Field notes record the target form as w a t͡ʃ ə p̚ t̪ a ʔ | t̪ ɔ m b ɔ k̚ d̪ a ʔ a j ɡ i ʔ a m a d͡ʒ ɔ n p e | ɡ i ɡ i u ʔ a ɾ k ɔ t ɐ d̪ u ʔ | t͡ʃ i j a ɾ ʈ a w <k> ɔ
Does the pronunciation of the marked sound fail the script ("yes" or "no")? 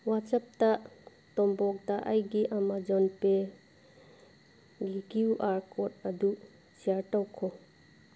yes